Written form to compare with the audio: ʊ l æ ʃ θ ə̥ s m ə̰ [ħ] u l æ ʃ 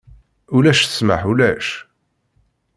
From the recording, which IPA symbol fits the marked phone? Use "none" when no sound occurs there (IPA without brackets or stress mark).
ħ